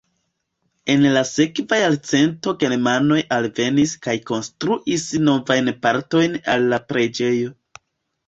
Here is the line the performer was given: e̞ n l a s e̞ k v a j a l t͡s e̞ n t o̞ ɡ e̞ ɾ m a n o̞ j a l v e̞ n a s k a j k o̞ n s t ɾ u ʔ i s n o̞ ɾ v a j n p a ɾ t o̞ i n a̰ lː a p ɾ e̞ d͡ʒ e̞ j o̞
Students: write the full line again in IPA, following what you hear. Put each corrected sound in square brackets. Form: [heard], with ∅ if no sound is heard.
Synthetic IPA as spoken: e̞ n l a s e̞ k v a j a l t͡s e̞ n t o̞ ɡ e̞ ɾ m a n o̞ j a l v e̞ n [i] s k a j k o̞ n s t ɾ u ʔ i s n o̞ [∅] v a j n p a ɾ t o̞ [j] n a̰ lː a p ɾ e̞ d͡ʒ e̞ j o̞